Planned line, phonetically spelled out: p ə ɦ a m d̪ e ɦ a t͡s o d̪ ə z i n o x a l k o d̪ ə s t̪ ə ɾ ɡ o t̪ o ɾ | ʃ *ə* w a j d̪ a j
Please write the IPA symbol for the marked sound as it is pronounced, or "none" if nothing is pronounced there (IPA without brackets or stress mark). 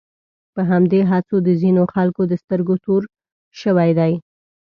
ə